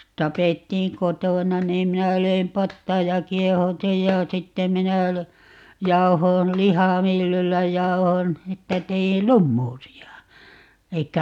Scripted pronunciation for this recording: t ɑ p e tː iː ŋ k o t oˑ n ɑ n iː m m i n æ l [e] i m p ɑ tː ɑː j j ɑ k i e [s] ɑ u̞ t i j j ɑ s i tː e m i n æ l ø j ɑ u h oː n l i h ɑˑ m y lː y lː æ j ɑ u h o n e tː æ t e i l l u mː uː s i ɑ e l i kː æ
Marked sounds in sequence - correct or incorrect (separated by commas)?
incorrect, incorrect